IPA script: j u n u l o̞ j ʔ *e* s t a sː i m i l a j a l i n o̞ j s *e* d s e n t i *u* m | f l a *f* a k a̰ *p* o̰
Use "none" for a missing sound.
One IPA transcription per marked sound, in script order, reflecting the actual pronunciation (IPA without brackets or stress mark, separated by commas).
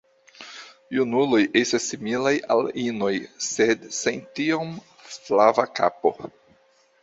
e, e, o, v, p